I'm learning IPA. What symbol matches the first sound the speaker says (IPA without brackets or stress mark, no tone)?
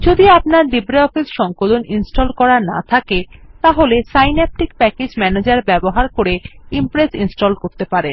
d͡ʑ